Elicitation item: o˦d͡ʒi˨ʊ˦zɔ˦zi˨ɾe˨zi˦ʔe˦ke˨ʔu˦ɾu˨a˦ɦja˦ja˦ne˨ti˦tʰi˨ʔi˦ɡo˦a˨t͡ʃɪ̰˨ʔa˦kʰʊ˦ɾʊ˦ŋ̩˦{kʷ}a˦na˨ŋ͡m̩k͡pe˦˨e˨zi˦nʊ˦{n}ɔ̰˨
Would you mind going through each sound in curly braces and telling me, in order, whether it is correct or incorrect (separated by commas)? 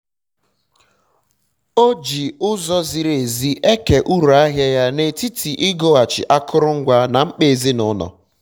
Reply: incorrect, correct